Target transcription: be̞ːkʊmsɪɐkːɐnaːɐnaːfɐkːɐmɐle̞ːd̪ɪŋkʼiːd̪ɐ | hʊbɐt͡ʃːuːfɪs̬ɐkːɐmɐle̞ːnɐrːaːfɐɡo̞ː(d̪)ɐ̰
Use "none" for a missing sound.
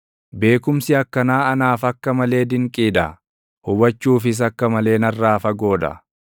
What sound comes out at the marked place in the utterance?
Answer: d̪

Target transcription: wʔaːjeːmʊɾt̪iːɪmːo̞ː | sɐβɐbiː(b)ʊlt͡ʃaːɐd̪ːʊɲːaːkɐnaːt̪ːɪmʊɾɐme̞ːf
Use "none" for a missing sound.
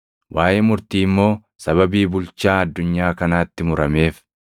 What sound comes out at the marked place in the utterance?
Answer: b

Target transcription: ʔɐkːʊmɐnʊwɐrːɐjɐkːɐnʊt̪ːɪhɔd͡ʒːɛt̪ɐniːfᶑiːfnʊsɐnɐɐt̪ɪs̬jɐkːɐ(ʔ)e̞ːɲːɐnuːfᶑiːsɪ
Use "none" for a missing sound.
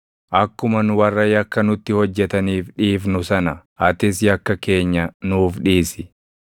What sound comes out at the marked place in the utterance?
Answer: k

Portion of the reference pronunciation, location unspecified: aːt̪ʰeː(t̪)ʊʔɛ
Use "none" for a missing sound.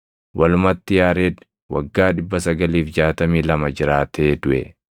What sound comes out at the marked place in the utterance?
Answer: d̪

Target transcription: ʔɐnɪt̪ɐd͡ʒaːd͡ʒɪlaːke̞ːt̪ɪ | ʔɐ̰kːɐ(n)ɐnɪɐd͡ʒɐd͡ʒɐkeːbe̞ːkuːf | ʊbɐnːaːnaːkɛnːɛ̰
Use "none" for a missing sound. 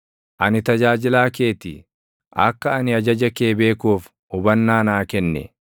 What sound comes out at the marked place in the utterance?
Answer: none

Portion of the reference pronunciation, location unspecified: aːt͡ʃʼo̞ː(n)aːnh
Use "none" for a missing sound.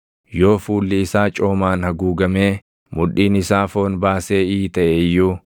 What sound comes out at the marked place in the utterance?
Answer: m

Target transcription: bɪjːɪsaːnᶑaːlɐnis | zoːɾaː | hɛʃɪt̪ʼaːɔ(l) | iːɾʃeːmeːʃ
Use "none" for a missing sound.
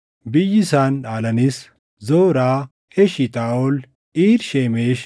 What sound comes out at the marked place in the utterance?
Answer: l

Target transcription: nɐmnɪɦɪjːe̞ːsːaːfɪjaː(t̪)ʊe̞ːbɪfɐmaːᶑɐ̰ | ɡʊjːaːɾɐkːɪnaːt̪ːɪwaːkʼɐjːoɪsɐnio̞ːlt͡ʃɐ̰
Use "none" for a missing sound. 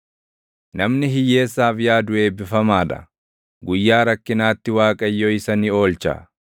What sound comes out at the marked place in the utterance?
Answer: d̪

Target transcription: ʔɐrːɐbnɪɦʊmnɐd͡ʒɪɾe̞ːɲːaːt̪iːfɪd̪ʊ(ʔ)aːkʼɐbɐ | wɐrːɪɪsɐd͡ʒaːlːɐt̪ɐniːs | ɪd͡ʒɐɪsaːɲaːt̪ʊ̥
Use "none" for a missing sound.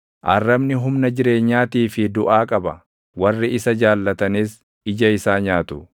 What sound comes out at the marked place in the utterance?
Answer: ʔ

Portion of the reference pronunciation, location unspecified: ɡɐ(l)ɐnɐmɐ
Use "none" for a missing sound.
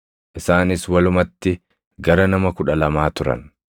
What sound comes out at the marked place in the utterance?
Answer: ɾ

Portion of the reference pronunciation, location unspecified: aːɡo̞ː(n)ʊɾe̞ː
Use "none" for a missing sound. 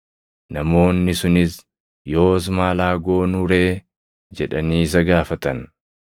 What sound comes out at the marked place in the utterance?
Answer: n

